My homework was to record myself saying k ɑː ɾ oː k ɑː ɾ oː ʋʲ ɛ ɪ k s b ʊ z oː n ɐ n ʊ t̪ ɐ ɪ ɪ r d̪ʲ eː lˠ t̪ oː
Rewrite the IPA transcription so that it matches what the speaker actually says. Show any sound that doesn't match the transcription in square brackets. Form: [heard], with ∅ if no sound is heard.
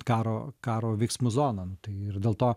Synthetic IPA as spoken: k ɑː ɾ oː k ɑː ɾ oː ʋʲ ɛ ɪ k s [m] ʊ z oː n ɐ n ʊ t̪ ɐ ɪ ɪ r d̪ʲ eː lˠ t̪ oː